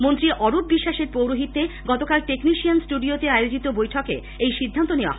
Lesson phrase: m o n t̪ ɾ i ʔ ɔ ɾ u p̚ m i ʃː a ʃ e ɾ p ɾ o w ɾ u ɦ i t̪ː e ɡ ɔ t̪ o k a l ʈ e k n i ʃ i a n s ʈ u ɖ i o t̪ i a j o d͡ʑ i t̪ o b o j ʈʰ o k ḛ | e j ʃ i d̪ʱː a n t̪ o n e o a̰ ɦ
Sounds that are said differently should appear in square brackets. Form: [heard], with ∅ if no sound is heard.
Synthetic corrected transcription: m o n t̪ ɾ i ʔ ɔ ɾ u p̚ [b] i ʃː a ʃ e ɾ p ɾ o w ɾ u ɦ i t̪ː e ɡ ɔ t̪ o k a l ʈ e k n i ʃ i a n s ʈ u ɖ i o t̪ [e] a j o d͡ʑ i t̪ o b o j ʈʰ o k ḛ | e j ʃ i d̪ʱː a n t̪ o n e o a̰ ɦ